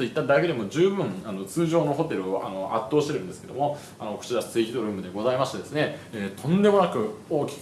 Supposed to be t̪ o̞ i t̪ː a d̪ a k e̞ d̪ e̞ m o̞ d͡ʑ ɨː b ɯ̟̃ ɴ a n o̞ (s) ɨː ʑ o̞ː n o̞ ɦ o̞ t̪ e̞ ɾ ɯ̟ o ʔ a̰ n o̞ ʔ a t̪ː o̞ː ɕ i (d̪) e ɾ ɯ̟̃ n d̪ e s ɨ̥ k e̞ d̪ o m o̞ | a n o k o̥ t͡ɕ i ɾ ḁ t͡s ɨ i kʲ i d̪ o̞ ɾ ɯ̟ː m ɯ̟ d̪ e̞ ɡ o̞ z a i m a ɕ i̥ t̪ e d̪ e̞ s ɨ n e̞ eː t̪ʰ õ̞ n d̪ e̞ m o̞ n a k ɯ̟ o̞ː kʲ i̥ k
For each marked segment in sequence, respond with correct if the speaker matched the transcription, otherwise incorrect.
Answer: incorrect: t͡s, incorrect: t̪

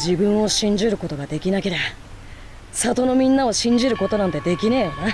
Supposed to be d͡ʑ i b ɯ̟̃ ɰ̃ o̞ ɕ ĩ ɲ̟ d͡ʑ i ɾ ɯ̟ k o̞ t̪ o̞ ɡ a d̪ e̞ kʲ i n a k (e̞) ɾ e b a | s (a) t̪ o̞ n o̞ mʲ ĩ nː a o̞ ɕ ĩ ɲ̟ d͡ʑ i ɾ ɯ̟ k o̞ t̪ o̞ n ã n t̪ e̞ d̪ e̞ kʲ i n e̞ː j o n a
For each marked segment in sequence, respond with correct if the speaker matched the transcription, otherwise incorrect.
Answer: correct, correct

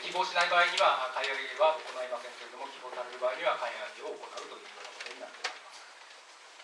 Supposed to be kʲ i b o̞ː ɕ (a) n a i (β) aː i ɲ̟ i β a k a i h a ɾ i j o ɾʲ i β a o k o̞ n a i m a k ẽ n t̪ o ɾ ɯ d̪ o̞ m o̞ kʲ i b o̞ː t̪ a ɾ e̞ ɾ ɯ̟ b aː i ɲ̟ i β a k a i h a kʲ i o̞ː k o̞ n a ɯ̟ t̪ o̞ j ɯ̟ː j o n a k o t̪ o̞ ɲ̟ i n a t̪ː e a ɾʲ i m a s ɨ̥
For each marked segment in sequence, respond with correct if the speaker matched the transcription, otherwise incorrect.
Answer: incorrect: i, incorrect: b

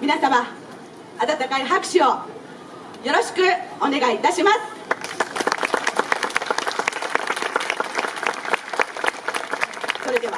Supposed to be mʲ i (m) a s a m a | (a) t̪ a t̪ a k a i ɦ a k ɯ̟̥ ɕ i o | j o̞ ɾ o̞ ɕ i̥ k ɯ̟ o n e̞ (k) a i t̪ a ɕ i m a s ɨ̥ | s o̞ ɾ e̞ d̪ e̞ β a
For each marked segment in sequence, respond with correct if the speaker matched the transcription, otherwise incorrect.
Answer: incorrect: n, correct, incorrect: ɡ

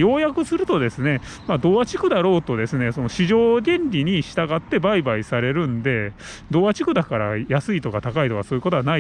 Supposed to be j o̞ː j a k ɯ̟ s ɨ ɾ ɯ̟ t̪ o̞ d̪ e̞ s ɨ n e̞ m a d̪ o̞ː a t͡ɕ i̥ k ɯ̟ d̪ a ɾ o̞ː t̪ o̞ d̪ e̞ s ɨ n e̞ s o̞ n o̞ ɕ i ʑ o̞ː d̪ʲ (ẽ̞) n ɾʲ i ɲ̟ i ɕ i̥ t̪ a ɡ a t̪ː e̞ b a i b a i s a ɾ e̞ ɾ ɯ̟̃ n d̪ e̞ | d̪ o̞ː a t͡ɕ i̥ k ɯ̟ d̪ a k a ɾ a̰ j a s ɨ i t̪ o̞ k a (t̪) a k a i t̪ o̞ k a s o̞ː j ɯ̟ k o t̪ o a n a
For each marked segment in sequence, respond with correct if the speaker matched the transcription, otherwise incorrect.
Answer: correct, correct

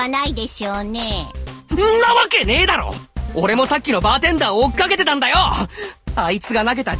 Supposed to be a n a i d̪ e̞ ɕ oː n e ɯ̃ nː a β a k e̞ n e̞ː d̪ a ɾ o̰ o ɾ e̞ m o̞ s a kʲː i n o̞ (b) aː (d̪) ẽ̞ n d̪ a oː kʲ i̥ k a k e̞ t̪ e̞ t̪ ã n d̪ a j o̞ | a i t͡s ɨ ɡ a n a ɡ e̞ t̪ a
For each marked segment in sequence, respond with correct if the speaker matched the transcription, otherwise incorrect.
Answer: correct, incorrect: t̪

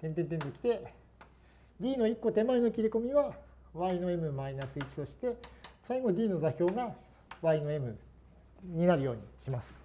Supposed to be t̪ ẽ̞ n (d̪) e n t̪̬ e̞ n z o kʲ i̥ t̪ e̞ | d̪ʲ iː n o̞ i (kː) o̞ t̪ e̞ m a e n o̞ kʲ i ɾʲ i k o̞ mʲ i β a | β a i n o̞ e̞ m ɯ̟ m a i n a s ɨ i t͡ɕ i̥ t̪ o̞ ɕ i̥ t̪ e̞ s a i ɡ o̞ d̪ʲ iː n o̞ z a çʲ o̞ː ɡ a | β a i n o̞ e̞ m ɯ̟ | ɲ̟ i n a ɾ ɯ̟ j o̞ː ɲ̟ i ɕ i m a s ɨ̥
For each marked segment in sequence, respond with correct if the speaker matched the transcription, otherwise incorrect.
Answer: incorrect: t̪, correct

